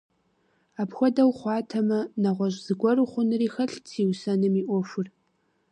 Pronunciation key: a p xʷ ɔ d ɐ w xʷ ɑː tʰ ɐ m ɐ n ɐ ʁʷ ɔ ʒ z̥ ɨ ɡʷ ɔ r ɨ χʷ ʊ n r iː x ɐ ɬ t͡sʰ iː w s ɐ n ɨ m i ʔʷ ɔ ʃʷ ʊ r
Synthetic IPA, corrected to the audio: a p xʷ ɔ d ɐ w χʷ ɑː tʰ ɐ m ɐ n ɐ ʁʷ ɔ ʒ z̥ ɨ ɡʷ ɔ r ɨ χʷ ʊ n r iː x ɐ ɬ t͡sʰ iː w s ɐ n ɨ m i ʔʷ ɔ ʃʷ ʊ r